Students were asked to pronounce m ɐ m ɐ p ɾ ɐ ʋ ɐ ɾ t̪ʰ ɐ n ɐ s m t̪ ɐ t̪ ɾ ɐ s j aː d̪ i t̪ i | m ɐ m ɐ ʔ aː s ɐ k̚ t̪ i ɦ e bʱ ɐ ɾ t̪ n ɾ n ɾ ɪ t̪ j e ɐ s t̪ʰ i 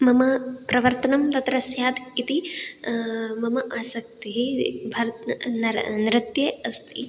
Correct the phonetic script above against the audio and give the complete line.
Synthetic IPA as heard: m ɐ m ɐ p ɾ ɐ ʋ ɐ ɾ t̪ ɐ n ɐ m t̪ ɐ t̪ ɾ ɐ s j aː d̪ i t̪ i | m ɐ m ɐ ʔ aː s ɐ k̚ t̪ i ɦ i bʱ ɐ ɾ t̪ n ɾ n ɾ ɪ t̪ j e ɐ s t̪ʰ i